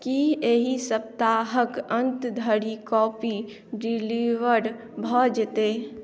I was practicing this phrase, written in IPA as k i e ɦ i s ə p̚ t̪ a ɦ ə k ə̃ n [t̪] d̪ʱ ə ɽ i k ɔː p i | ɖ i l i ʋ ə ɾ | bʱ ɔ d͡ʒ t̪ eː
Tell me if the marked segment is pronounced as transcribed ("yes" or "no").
yes